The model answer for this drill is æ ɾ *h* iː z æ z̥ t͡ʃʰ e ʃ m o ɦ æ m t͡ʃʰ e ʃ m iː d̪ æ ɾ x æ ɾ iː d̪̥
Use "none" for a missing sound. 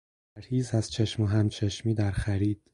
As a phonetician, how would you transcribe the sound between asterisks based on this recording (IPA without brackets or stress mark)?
h